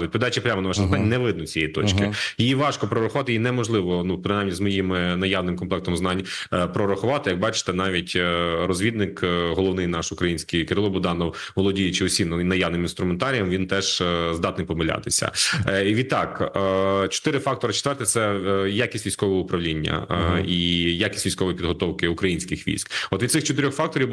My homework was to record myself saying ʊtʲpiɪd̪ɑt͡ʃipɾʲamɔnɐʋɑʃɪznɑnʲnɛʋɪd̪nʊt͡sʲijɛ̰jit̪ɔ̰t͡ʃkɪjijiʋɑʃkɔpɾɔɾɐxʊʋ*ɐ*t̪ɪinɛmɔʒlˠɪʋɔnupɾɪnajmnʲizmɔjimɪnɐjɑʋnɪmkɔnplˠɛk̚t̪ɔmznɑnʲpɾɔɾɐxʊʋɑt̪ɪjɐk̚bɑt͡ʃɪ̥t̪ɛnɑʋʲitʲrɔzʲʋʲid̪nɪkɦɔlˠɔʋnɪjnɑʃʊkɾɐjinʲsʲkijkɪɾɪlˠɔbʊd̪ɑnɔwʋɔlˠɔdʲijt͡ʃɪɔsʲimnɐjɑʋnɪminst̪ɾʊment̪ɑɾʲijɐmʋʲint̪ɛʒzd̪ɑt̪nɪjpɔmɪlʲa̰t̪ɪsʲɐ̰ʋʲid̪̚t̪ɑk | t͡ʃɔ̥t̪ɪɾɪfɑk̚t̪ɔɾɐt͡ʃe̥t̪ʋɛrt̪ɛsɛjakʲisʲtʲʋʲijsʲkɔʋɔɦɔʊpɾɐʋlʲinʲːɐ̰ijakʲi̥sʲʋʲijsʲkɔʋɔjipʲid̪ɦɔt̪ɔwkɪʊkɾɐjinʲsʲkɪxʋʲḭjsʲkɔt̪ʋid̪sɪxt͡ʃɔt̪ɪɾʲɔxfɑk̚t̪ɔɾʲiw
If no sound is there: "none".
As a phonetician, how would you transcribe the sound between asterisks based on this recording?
ɑ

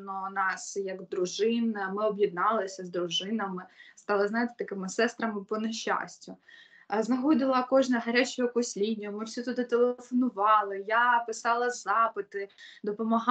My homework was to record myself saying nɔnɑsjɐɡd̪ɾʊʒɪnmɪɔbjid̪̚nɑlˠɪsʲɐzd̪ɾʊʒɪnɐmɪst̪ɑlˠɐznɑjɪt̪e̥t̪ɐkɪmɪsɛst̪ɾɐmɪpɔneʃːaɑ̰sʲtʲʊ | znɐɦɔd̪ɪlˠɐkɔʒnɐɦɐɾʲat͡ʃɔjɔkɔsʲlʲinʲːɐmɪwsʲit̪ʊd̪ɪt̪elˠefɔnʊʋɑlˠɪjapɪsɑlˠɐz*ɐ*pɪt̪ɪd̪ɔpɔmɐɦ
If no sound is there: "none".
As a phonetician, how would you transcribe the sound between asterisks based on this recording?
ɑ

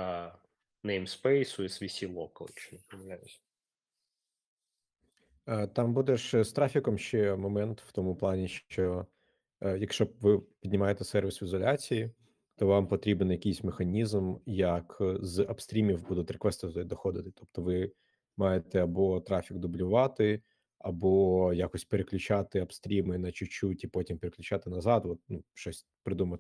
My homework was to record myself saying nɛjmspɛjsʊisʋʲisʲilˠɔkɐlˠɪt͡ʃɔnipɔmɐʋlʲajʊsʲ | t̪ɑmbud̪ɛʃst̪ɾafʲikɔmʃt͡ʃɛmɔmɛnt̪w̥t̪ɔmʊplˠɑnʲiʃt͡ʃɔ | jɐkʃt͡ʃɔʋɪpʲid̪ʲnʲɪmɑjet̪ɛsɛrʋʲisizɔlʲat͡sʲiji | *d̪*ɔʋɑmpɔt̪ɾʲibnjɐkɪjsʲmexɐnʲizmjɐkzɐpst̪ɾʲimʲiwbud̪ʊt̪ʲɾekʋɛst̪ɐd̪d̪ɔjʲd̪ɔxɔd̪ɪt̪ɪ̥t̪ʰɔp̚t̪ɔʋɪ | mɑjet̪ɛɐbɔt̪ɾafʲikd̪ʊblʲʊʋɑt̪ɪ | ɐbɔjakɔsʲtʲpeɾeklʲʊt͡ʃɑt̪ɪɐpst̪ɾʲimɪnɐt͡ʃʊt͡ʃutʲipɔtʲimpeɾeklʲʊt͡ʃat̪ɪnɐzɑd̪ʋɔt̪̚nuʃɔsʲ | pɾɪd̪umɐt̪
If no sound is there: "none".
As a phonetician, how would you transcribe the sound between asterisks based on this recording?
t̪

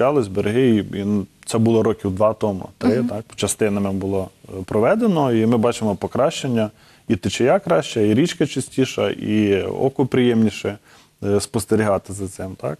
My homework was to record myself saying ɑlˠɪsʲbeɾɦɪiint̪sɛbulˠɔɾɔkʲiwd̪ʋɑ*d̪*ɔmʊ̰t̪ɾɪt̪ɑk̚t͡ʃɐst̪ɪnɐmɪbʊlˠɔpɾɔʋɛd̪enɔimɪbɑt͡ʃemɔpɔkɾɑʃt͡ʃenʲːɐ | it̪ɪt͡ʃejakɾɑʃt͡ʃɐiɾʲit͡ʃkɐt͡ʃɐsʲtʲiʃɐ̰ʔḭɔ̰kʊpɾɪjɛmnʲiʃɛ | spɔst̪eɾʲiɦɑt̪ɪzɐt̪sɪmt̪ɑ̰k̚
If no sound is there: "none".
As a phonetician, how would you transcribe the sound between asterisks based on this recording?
t̪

